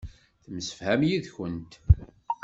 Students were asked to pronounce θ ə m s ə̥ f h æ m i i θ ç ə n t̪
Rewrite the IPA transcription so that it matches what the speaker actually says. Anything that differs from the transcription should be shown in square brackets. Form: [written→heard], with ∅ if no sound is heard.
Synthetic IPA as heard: θ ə m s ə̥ f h æ m [i→j] i [θ→ð] ç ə n t̪